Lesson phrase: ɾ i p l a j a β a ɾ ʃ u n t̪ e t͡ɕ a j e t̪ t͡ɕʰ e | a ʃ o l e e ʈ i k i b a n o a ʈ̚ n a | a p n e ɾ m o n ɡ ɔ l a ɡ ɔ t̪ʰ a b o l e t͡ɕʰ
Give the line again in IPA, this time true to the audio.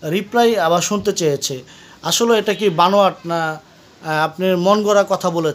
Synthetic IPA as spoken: ɾ i p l a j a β a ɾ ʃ u n t̪ e t͡ɕ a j e t͡ɕʰ e | a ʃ o l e e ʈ a k i b a n o a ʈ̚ n a | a p n e ɾ m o n ɡ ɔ ɾ a k ɔ t̪ʰ a b o l e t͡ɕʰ